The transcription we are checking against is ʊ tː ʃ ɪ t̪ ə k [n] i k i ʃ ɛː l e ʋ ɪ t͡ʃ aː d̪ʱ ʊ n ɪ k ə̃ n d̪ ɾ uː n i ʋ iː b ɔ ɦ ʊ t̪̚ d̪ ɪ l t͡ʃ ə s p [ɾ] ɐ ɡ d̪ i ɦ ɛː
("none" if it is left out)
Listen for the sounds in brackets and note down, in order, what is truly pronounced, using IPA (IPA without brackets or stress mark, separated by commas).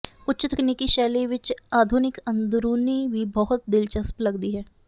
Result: n, l